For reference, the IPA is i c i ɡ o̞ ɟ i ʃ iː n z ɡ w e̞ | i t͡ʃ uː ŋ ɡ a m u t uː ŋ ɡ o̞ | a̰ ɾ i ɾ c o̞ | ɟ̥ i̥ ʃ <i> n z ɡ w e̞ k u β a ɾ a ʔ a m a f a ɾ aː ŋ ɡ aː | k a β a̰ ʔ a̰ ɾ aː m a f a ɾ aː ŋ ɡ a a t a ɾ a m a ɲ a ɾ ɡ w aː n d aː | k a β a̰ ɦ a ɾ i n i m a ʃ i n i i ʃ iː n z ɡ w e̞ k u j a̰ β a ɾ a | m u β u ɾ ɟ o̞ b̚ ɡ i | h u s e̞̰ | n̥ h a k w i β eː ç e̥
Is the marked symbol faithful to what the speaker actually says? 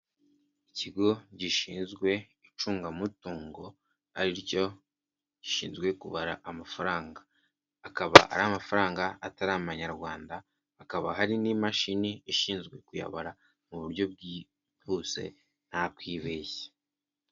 no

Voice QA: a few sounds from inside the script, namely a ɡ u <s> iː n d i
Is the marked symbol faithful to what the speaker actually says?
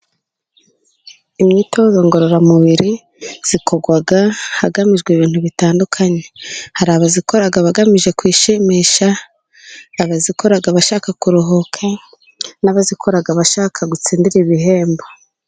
no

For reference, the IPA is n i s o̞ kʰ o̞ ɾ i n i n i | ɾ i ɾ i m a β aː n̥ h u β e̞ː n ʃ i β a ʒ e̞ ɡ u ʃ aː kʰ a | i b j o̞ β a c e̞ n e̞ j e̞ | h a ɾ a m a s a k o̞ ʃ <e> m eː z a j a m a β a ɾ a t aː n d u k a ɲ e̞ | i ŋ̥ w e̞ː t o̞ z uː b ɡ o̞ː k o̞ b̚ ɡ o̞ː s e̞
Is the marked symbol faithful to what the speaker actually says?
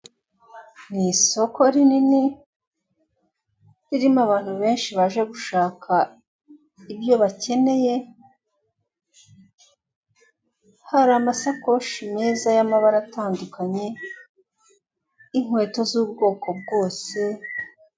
no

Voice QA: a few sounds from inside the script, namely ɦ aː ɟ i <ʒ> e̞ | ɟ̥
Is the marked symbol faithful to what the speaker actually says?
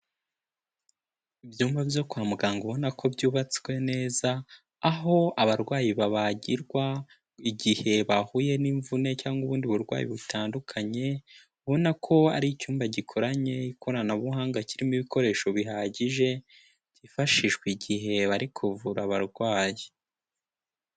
yes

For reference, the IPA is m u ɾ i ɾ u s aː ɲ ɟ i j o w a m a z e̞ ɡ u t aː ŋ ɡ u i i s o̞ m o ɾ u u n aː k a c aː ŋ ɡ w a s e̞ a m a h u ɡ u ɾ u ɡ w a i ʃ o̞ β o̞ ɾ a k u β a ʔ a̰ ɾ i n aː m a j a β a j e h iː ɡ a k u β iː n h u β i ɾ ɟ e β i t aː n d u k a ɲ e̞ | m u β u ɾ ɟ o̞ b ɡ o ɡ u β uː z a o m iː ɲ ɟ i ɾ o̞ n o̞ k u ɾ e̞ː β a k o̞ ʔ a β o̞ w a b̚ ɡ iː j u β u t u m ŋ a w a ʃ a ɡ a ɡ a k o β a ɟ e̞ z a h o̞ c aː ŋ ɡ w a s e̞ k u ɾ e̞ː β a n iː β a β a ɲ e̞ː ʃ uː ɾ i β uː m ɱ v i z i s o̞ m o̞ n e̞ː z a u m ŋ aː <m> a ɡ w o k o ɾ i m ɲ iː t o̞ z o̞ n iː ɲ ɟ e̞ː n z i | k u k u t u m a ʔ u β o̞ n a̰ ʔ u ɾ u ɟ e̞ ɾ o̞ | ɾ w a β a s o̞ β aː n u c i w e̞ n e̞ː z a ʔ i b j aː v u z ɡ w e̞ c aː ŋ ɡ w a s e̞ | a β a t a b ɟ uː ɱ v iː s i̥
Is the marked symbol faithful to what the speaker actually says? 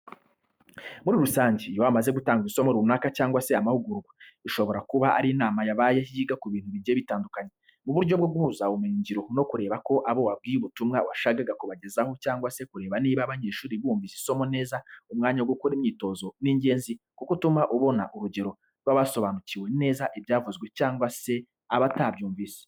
no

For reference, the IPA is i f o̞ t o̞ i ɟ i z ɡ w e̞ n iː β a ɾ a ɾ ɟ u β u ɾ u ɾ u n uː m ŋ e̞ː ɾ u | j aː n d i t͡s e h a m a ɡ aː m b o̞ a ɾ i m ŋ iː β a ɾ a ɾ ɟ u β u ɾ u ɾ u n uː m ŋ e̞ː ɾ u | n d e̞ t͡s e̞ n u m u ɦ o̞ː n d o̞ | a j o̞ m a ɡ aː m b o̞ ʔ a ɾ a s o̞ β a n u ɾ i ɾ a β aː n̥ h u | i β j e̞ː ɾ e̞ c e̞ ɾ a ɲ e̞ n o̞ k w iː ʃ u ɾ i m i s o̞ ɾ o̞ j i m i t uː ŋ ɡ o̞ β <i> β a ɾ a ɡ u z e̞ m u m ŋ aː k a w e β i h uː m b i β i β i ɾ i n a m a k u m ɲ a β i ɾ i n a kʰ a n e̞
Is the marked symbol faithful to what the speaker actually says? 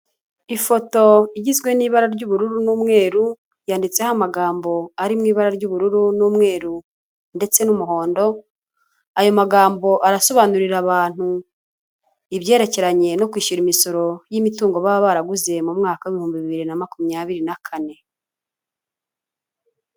no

